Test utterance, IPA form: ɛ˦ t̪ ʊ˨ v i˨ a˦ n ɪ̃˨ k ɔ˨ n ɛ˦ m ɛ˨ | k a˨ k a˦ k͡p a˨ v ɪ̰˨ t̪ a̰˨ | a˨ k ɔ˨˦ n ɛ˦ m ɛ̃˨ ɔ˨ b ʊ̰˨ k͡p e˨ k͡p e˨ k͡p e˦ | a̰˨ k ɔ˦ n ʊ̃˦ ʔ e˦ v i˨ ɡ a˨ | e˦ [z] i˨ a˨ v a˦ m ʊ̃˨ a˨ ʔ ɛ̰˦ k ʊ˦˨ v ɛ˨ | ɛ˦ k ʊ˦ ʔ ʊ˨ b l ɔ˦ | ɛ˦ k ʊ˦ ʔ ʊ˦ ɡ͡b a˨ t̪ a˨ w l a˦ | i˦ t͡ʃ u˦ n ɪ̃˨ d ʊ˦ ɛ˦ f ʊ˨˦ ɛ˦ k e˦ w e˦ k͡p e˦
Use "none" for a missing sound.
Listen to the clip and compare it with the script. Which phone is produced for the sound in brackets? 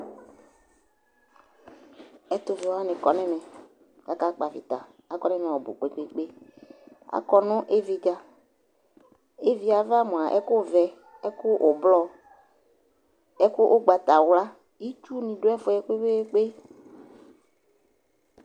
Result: v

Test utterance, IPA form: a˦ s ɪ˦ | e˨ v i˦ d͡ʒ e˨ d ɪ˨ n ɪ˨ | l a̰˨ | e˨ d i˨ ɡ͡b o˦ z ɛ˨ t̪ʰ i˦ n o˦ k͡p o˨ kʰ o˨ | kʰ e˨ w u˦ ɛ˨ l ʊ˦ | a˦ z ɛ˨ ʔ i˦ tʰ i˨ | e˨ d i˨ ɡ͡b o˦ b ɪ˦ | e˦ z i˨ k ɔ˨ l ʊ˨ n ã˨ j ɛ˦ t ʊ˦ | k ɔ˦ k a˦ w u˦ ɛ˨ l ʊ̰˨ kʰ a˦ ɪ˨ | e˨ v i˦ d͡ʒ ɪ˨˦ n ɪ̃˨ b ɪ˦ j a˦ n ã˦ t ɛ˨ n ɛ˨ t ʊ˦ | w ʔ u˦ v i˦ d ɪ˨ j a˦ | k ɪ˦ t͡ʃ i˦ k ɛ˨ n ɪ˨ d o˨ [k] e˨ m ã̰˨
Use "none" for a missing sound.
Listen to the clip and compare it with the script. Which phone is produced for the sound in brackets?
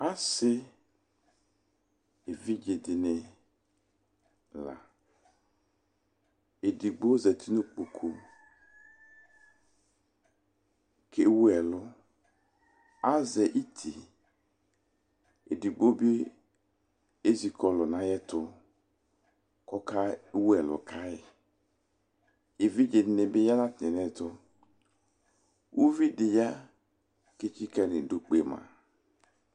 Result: k͡p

